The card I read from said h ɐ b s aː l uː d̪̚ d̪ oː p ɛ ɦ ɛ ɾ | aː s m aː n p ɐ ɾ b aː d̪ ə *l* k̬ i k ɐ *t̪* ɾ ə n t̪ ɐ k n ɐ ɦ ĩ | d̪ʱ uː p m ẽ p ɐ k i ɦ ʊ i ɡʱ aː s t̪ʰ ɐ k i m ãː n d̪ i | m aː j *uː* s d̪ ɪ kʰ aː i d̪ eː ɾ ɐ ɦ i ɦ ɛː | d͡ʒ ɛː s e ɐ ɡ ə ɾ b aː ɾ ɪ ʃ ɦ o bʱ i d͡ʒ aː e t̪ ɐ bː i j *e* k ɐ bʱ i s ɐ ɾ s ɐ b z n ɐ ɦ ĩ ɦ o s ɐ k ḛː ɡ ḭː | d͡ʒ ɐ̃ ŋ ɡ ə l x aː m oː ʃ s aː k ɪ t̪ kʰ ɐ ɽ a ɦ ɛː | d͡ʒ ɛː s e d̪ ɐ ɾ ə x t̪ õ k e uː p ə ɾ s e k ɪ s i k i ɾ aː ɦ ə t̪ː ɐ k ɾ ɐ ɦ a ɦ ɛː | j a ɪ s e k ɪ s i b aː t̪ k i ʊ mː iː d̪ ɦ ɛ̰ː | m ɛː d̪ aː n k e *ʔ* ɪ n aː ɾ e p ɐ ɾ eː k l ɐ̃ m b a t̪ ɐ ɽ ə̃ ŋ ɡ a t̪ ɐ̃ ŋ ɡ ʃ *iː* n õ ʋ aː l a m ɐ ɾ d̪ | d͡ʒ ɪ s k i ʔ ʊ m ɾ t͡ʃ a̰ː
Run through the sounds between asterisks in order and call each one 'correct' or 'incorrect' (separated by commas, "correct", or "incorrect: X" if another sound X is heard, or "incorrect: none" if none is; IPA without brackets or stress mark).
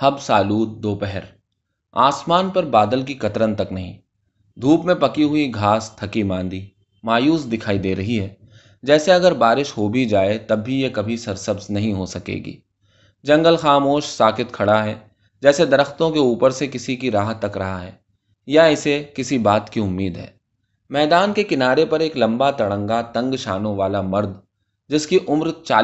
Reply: correct, correct, correct, correct, incorrect: k, incorrect: aː